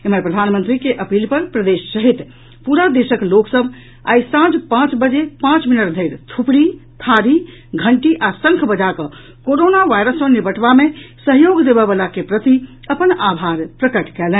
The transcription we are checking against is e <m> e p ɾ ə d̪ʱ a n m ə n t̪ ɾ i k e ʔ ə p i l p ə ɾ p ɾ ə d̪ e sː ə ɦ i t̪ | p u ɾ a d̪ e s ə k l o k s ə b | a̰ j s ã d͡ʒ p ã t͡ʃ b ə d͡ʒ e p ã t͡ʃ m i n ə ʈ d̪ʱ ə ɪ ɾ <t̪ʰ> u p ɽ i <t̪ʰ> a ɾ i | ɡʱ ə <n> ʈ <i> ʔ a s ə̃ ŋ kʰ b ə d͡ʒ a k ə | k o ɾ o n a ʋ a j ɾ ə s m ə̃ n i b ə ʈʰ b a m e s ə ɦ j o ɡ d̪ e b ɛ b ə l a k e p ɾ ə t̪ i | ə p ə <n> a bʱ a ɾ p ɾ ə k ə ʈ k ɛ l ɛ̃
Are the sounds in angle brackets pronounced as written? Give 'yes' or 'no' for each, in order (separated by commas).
yes, yes, yes, no, yes, yes